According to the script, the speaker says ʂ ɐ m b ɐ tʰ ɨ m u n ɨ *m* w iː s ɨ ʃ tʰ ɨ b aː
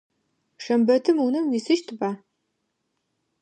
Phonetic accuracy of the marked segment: correct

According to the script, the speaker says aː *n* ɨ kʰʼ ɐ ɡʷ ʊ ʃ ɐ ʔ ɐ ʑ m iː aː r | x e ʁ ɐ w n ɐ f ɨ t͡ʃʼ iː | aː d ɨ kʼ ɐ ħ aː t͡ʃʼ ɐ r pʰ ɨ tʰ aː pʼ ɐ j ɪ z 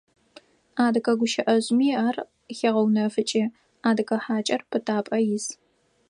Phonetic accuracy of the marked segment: incorrect: d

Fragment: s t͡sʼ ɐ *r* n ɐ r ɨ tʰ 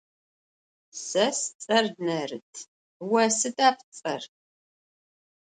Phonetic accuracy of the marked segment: correct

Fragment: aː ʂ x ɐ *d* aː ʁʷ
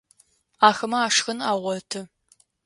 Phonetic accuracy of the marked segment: incorrect: n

